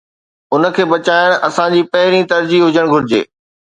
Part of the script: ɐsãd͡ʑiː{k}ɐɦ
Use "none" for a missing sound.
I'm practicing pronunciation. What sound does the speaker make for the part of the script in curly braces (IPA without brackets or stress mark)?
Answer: p